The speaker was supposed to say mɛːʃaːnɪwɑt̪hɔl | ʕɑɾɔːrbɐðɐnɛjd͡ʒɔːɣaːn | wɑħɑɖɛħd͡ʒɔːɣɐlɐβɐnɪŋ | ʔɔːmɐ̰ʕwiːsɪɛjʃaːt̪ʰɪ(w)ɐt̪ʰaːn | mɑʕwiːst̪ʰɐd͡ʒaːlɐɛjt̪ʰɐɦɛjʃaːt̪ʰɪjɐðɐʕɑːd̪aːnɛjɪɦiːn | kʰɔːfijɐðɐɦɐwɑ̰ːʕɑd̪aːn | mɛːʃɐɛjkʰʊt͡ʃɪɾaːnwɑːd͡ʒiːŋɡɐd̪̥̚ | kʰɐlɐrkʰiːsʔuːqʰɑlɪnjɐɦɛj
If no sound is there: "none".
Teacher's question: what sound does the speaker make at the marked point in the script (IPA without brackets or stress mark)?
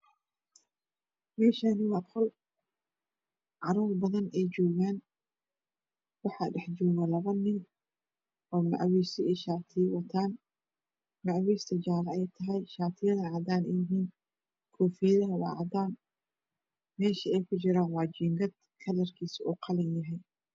w